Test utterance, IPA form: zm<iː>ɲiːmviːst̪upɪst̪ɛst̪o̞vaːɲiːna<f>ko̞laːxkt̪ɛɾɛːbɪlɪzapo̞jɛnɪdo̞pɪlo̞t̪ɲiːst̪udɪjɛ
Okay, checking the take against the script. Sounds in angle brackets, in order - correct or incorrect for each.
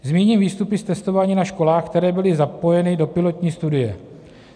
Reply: correct, incorrect: ʃ

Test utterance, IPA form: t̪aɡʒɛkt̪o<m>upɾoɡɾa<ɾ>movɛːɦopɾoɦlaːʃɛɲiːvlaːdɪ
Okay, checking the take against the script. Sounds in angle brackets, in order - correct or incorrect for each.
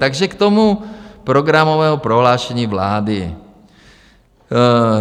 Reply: correct, incorrect: none

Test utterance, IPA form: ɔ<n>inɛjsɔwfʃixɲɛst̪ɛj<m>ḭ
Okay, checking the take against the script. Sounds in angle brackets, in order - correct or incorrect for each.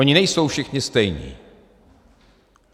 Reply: incorrect: ɲ, incorrect: ɲ

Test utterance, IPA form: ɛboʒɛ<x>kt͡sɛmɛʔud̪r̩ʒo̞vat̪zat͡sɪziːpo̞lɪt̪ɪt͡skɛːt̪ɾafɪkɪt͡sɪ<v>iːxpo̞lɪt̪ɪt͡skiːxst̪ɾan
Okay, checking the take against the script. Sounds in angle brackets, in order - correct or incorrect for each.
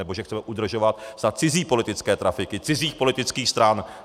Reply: correct, incorrect: z

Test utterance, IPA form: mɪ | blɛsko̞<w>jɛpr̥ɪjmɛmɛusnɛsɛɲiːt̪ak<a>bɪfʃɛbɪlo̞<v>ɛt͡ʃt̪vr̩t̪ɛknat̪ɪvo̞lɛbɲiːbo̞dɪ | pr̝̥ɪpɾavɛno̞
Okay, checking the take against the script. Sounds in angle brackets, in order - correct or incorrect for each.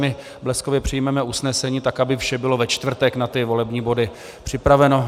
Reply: incorrect: v, correct, correct

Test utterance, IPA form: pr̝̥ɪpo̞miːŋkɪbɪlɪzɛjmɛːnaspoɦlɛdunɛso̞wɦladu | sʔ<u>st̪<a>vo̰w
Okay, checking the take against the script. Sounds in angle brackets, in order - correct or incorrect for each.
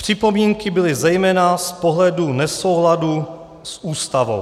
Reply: incorrect: uː, correct

